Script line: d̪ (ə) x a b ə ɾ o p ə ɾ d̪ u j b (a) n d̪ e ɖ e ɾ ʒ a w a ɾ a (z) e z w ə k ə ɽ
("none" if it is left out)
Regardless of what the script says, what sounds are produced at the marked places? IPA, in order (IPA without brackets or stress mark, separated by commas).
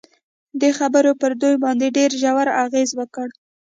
ə, ɑ, ɣ